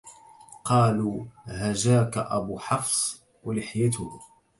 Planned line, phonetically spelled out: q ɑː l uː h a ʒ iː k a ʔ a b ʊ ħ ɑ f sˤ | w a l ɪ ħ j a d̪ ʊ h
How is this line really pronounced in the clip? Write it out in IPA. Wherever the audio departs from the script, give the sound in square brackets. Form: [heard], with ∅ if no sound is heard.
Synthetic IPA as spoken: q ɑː l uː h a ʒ [aː] k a ʔ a b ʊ ħ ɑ f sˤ | w a l ɪ ħ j a [t̪] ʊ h

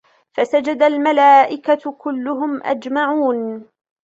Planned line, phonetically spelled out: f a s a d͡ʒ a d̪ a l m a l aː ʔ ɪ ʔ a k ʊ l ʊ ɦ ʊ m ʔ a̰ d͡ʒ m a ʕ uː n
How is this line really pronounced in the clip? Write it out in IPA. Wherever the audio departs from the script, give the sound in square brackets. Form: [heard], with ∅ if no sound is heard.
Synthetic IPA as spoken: f a s a d͡ʒ a d̪ a l m a l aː ʔ ɪ [k] a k ʊ [lː] ʊ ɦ ʊ m ʔ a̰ d͡ʒ m a ʕ uː n

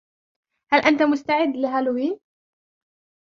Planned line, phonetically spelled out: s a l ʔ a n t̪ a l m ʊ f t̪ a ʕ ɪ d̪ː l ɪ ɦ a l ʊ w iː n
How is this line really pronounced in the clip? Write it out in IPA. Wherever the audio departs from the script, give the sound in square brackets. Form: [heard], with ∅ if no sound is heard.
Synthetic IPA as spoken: [h] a l ʔ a n t̪ a [∅] m ʊ [s] t̪ a ʕ ɪ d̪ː l ɪ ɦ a l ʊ w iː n

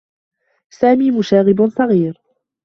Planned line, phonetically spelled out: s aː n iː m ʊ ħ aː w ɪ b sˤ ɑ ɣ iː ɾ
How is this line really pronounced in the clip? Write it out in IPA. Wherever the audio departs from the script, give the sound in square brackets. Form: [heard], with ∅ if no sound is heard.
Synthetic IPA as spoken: s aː [m] iː m ʊ [ʃ] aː [ɣ] ɪ b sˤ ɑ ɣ iː ɾ

